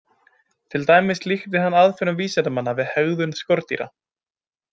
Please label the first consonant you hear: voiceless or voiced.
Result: voiceless